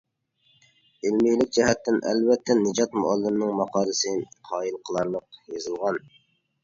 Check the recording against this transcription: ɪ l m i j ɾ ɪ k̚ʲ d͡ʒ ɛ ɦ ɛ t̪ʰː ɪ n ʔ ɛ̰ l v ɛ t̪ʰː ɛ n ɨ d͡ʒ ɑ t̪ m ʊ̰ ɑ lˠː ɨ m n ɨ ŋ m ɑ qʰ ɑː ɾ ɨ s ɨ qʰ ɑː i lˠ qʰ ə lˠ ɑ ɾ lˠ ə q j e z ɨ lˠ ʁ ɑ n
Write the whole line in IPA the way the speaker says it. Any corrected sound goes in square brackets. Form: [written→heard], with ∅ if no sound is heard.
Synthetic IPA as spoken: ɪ l m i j [ɾ→l] ɪ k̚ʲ d͡ʒ ɛ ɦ ɛ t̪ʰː ɪ n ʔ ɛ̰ l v ɛ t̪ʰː ɛ n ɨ d͡ʒ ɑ t̪ m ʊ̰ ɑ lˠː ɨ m n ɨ ŋ m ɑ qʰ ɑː ɾ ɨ s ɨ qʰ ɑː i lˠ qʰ ə lˠ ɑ ɾ lˠ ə q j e z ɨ lˠ ʁ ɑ n